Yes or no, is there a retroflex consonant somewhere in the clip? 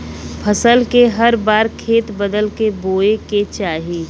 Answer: no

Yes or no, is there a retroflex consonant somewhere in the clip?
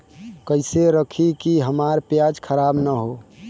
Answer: no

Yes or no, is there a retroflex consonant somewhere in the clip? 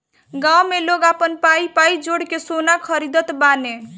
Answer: yes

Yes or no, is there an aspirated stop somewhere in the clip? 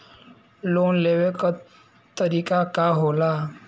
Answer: no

